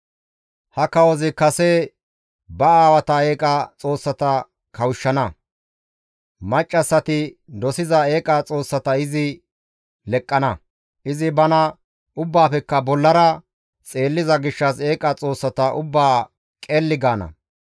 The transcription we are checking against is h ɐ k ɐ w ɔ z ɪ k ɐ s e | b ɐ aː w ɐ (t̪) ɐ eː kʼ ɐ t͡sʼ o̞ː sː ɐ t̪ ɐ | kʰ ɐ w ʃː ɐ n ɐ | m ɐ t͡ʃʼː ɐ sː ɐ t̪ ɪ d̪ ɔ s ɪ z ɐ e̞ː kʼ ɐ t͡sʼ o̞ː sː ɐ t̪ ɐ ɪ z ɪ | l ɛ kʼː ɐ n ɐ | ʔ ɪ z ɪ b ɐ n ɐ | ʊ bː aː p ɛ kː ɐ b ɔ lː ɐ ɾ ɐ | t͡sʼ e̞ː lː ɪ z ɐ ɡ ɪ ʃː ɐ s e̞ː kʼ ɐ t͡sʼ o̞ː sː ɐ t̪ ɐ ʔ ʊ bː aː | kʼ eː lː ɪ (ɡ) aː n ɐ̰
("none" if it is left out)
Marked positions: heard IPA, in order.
t̪, ɡ

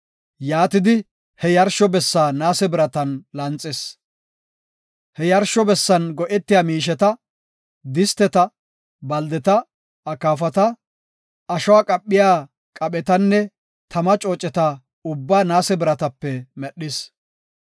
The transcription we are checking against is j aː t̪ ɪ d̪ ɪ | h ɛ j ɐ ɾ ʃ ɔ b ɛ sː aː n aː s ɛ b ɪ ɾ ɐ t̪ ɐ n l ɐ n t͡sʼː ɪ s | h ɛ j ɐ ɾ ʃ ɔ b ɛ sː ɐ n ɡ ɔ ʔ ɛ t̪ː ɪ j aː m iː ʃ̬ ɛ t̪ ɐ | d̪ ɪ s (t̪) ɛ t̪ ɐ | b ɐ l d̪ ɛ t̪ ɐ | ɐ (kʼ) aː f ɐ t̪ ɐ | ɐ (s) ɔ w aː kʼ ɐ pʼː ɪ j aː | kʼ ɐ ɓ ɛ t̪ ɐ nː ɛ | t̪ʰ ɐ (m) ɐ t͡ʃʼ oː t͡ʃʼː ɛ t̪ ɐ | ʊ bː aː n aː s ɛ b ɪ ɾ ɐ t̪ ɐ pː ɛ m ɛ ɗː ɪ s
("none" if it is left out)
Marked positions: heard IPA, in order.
t̪, k, ʃ, m

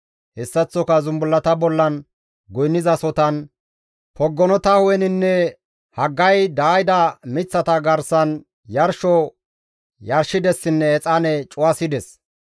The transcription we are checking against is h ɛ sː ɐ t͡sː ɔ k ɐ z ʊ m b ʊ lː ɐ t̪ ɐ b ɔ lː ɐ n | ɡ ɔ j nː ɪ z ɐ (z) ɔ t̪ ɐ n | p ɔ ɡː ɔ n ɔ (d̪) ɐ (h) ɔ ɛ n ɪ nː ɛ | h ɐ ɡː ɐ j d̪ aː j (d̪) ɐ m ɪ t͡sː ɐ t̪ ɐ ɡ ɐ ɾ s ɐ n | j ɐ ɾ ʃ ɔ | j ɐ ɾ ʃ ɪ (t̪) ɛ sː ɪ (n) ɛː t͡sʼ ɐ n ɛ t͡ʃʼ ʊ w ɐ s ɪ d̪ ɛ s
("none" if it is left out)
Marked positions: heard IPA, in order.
s, t̪, h, d̪, d̪, nː

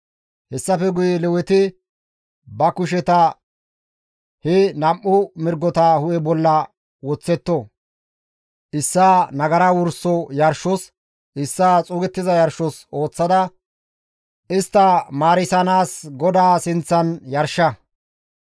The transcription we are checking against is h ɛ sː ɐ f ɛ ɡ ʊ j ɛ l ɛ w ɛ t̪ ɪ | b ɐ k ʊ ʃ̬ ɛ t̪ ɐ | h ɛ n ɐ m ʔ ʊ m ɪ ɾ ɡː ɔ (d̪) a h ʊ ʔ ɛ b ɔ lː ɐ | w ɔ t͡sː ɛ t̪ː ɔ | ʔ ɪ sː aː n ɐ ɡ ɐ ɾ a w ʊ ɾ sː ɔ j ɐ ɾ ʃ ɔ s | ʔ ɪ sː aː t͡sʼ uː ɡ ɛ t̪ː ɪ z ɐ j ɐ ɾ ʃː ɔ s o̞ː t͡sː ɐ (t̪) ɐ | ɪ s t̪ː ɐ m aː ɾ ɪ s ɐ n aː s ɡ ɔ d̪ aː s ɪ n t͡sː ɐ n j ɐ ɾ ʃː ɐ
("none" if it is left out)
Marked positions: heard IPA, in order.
t̪, d̪

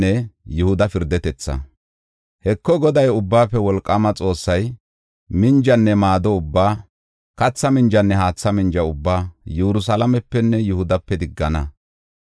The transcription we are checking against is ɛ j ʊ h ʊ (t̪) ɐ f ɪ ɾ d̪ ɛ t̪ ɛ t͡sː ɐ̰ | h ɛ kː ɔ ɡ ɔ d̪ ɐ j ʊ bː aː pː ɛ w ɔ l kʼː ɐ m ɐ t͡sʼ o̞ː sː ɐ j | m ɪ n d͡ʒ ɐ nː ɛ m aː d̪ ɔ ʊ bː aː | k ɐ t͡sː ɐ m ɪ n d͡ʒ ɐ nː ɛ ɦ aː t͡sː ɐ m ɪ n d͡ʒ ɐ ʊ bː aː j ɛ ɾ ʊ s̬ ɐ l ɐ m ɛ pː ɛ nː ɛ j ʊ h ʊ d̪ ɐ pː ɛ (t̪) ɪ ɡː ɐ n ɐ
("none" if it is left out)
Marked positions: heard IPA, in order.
d̪, d̪

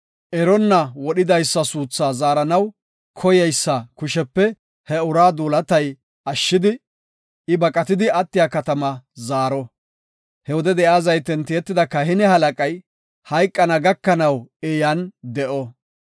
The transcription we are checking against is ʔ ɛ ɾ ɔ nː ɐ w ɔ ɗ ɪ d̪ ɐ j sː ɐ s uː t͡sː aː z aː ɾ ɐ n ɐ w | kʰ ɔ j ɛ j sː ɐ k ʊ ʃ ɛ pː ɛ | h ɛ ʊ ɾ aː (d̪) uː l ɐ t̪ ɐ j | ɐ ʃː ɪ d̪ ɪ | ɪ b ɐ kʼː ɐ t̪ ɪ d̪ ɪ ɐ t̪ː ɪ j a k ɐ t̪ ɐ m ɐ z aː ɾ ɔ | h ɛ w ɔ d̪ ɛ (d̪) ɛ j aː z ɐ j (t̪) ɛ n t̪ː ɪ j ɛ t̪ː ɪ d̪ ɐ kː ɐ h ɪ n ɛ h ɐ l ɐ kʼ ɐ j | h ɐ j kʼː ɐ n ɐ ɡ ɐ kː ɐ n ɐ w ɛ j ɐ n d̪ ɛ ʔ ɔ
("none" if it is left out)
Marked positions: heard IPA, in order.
d̪, d̪, t̪

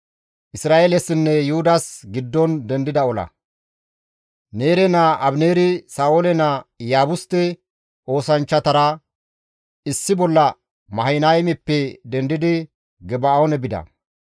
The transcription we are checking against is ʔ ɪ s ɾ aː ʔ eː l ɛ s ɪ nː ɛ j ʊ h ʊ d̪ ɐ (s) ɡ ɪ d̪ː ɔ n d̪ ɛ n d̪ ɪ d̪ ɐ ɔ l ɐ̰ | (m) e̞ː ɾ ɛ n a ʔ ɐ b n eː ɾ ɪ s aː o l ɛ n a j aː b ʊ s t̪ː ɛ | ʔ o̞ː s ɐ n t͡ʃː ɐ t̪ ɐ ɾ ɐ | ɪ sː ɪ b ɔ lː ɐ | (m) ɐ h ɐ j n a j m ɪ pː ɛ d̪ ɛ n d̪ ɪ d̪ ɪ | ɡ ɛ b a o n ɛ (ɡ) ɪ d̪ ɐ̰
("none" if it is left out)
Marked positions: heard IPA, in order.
s, n, m, b

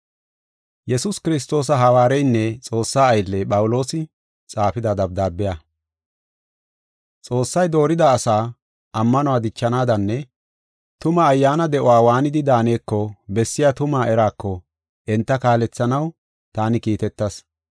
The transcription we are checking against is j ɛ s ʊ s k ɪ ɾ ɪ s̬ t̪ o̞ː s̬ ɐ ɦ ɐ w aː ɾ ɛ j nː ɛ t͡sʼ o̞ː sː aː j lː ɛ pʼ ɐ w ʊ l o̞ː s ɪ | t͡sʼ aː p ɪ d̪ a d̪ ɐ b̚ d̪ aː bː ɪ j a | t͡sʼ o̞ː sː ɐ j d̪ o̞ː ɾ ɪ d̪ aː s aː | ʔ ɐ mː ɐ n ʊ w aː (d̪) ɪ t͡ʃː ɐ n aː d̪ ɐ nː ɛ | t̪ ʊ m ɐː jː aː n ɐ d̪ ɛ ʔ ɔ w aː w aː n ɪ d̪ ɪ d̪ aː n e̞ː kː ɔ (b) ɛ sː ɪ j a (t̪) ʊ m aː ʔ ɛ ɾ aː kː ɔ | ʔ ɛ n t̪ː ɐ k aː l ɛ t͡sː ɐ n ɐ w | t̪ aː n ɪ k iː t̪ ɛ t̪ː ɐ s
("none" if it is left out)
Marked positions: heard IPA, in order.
d̪, b, t̪

